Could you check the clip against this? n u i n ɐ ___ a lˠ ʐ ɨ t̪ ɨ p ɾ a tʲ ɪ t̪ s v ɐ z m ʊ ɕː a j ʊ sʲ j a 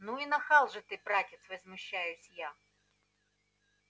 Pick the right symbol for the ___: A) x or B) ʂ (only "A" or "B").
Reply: A